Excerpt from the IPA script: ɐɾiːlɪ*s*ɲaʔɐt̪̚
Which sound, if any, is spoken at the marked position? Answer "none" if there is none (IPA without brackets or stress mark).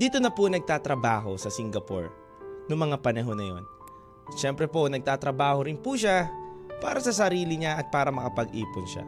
none